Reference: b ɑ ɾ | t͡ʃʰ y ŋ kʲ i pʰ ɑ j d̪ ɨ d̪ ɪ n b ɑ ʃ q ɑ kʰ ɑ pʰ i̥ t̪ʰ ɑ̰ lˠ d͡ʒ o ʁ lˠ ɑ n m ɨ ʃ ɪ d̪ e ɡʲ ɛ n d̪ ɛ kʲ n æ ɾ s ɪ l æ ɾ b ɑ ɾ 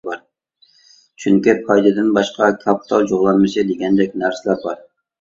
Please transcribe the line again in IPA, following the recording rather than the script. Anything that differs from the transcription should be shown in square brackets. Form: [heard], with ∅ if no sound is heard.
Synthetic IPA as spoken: b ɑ ɾ | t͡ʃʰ y ŋ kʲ i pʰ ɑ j d̪ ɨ d̪ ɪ n b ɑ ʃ q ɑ kʰ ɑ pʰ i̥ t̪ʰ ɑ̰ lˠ d͡ʒ o ʁ lˠ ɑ n m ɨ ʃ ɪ d̪ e ɡʲ ɛ n d̪ ɛ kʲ n æ ɾ s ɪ l æ ɾ b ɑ ɾ